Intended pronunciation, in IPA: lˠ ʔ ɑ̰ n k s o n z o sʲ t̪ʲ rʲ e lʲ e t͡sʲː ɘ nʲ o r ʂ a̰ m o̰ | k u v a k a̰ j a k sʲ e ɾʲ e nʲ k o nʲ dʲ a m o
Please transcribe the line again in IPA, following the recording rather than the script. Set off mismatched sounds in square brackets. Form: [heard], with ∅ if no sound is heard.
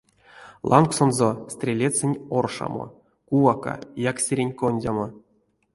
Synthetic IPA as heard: lˠ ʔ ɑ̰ n k s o n z o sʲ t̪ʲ rʲ e lʲ e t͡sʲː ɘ nʲ o r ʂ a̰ m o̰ | k u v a k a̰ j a k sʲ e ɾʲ e nʲ k o nʲ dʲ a m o

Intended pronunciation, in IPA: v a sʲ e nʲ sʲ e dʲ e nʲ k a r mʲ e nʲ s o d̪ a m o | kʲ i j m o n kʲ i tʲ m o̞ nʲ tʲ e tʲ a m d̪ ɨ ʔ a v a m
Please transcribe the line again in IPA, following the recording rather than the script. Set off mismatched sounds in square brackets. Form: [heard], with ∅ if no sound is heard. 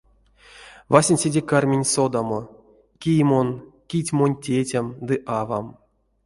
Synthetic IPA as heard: v a sʲ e nʲ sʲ e dʲ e [∅] k a r mʲ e nʲ s o d̪ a m o | kʲ i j m o n kʲ i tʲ m o̞ nʲ tʲ e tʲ a m d̪ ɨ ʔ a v a m

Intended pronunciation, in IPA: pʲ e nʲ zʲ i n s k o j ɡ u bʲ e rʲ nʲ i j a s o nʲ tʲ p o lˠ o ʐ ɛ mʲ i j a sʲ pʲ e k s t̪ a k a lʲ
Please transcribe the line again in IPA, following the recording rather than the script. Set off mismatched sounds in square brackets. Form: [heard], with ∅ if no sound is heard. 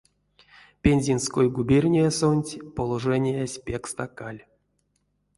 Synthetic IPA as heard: pʲ e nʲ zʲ i n s k o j ɡ u bʲ e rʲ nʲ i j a s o nʲ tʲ p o lˠ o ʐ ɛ [nʲ] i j a sʲ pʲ e k s t̪ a k a lʲ

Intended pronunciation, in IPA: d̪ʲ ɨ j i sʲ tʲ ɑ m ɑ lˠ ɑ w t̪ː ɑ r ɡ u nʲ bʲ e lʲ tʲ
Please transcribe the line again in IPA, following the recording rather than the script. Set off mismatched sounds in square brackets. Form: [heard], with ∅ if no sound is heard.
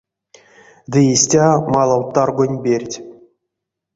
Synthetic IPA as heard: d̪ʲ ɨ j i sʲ tʲ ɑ m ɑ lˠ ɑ w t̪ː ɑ r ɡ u nʲ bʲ e [rʲ] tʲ

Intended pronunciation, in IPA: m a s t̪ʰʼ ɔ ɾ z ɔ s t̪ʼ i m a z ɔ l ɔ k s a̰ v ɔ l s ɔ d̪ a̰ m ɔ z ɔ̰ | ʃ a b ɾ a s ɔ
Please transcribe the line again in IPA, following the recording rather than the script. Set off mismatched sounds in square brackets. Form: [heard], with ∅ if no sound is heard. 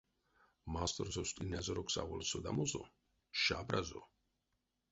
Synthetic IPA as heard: m a s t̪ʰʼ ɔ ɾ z ɔ s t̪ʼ i [n] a z ɔ [ɾ] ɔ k s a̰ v ɔ l s ɔ d̪ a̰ m ɔ z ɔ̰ | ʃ a b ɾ a [z] ɔ

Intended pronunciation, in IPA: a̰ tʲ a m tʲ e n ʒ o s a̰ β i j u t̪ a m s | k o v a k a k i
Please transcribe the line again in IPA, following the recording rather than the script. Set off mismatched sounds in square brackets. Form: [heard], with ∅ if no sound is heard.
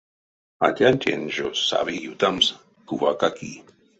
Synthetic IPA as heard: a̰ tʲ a [n] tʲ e n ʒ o s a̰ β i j u t̪ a m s | k [u] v a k a k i

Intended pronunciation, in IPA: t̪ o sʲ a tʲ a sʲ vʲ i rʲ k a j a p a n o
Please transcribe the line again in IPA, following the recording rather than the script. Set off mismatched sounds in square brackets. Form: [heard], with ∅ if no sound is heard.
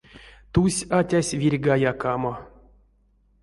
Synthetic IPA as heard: t̪ [u] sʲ a tʲ a sʲ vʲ i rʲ [ɡ] a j a [k] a [m] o

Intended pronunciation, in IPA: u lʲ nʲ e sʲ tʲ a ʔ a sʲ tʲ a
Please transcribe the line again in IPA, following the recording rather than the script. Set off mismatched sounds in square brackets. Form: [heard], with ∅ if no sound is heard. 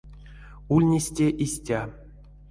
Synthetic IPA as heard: u lʲ nʲ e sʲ tʲ [e] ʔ [i] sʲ tʲ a

